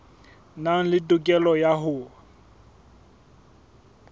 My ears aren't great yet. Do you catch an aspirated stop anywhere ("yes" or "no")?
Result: no